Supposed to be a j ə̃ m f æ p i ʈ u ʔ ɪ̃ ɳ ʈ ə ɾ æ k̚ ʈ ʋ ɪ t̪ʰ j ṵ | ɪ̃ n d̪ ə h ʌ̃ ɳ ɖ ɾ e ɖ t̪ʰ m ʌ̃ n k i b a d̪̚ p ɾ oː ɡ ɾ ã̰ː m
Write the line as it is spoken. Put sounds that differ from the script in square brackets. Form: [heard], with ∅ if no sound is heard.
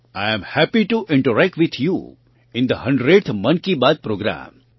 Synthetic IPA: a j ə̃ m [h] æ p i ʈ u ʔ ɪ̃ ɳ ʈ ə ɾ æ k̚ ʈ ʋ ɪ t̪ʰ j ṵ | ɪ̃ n d̪ ə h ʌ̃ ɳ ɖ ɾ e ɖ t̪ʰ m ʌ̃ n k i b a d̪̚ p ɾ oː ɡ ɾ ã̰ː m